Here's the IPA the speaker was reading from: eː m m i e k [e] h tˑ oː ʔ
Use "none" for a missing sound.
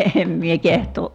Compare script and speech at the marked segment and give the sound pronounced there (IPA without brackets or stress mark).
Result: e